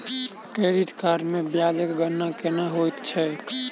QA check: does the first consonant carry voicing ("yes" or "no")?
no